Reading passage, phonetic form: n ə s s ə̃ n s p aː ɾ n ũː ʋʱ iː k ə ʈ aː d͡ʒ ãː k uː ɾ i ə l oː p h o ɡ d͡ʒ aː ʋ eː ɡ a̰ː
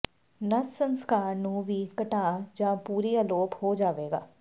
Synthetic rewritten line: n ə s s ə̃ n s k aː ɾ n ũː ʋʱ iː k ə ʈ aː d͡ʒ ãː p uː ɾ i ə l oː p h o d͡ʒ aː ʋ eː ɡ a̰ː